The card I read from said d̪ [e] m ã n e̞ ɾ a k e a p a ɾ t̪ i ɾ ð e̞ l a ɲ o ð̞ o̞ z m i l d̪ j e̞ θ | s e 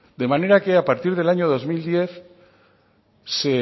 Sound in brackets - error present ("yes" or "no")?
no